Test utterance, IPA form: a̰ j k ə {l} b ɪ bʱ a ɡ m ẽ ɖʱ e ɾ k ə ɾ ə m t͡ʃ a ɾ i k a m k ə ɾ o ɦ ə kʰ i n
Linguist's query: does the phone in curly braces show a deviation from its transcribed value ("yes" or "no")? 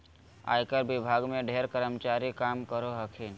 yes